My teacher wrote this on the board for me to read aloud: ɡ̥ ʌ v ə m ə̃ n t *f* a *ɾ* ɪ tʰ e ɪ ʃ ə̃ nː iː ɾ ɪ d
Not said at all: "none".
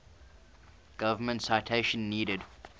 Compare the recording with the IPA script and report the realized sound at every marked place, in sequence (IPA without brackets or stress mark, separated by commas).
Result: s, none